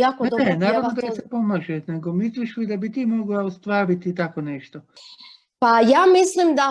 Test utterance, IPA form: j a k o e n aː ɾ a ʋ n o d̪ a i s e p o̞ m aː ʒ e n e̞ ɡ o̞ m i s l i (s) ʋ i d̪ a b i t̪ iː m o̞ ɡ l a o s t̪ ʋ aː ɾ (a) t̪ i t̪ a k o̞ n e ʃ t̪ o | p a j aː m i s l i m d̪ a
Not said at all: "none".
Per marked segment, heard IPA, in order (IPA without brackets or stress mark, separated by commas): ʃ, i